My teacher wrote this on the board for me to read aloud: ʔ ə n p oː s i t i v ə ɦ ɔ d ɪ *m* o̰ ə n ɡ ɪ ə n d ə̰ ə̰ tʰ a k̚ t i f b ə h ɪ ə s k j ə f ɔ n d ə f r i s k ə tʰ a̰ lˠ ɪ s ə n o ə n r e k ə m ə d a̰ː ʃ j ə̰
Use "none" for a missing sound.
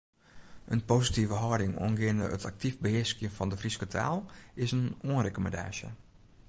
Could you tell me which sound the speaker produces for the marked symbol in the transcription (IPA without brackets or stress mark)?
ŋ